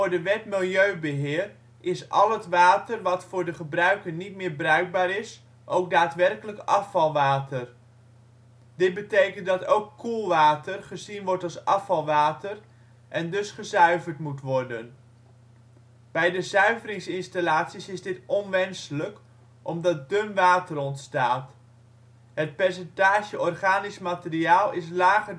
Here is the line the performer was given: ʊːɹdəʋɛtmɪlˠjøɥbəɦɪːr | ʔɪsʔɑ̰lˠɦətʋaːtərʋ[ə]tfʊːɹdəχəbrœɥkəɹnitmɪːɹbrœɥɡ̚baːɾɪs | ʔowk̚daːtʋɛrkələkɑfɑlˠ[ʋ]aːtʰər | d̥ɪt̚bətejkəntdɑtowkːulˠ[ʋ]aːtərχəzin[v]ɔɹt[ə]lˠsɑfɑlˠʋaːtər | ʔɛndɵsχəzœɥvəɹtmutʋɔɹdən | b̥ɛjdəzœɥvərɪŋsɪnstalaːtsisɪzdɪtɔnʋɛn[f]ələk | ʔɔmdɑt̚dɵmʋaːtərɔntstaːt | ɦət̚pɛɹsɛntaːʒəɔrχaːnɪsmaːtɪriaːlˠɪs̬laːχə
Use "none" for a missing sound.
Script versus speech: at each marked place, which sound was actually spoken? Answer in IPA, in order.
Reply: ɑ, ʋ, ʋ, ʋ, ɑ, s

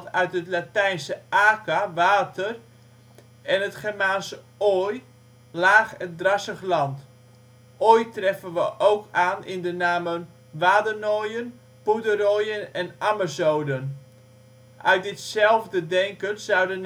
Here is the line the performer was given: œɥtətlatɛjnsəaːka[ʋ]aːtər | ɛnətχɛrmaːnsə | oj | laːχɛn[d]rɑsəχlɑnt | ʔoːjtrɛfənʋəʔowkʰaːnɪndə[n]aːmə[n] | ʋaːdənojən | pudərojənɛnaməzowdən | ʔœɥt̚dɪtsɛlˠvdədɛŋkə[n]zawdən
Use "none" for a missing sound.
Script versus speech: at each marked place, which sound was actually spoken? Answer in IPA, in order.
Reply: ʋ, d, n, n, n

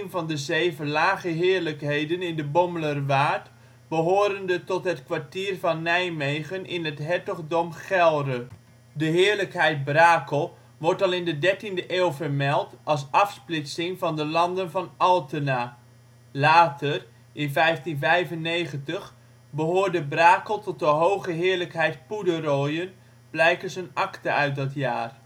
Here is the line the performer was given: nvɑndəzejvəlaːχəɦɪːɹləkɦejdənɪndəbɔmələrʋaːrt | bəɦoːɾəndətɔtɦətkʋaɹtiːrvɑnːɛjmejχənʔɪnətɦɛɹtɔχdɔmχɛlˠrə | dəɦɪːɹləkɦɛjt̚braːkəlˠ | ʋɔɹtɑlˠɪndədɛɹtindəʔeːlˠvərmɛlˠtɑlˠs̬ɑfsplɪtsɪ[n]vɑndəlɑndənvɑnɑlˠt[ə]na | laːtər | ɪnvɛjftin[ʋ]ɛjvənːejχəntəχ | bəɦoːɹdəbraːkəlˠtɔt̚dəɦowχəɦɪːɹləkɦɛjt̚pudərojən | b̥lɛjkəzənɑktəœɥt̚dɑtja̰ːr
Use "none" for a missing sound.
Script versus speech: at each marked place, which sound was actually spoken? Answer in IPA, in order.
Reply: ŋ, ə, v

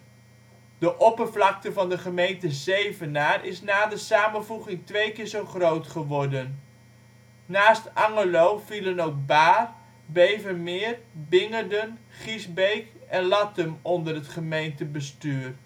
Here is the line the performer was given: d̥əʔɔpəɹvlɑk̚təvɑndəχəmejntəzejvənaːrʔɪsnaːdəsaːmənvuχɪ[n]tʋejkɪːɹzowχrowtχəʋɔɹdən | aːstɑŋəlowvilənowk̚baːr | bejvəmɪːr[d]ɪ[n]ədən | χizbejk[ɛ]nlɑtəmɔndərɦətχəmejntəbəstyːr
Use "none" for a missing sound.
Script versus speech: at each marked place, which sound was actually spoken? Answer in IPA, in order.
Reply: ŋ, b, ŋ, ɛ

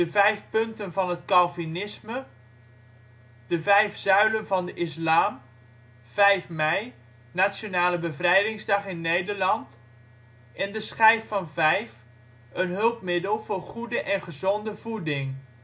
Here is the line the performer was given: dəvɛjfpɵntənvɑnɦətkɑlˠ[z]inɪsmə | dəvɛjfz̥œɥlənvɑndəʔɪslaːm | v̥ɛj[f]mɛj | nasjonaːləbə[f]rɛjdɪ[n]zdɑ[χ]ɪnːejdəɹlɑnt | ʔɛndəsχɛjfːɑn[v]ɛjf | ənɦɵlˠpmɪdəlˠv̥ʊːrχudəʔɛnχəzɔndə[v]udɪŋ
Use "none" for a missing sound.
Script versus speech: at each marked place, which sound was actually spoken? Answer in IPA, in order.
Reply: v, f, v, ŋ, χ, v, v

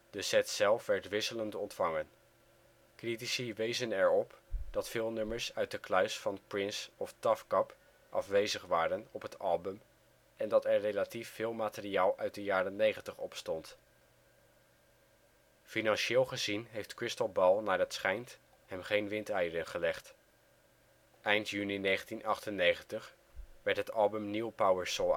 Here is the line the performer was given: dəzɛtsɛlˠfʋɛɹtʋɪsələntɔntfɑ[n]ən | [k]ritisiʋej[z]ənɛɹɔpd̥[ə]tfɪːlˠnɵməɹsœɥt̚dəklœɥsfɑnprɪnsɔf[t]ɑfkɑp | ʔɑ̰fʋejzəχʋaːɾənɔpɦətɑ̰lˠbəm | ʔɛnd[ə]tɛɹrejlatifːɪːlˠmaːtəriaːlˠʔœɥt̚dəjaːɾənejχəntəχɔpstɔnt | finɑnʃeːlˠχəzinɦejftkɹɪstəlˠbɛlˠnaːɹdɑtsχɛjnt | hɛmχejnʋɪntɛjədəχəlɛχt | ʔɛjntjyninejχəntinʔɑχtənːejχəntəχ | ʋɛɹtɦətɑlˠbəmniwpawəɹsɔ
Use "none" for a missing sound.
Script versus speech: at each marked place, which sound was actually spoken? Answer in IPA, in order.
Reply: ŋ, k, z, ɑ, t, ɑ

